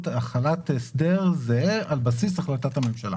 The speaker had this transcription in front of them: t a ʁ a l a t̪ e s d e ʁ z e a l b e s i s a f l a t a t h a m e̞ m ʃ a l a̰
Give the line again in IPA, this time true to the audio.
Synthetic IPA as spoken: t a χ a l a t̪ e s d e ʁ z e a l b a s i s a χ l a t a t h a m e̞ m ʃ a l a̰